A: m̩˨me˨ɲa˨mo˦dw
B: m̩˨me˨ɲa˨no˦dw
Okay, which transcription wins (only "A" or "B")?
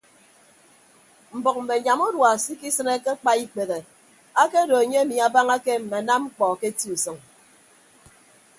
A